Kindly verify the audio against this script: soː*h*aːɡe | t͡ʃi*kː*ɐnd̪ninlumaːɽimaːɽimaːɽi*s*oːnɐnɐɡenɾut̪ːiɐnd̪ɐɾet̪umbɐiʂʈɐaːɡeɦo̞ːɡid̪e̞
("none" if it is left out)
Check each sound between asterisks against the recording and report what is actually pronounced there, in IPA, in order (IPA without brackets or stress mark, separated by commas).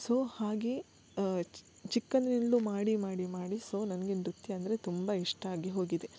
h, kː, s